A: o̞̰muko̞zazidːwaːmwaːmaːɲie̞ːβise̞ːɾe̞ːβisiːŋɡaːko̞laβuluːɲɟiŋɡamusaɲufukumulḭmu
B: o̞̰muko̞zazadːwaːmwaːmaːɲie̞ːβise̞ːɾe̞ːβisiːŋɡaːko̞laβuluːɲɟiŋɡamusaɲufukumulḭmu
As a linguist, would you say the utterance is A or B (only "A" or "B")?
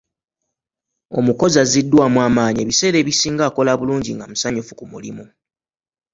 A